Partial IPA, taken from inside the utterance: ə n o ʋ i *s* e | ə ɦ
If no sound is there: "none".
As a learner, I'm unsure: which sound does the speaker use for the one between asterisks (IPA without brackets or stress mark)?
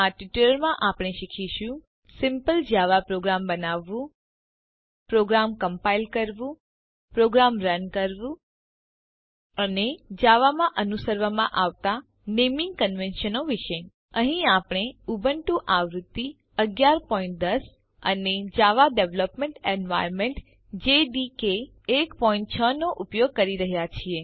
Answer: ʃ